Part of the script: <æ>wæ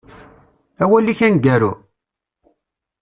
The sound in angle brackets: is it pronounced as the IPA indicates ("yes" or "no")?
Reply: yes